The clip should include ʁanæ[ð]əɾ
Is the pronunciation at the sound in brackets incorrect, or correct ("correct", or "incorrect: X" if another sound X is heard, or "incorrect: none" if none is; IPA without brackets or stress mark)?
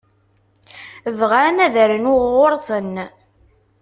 correct